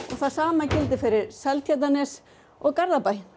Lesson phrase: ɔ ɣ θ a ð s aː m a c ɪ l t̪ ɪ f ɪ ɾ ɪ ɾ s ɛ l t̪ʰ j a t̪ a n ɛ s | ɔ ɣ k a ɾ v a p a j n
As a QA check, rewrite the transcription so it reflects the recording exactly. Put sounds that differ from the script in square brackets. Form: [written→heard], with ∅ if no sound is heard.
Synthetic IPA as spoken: ɔ ɣ θ a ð s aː m a c ɪ l t̪ ɪ f ɪ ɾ ɪ ɾ s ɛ l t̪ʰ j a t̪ a n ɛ s | ɔ ɣ k a ɾ [v→ð] a p a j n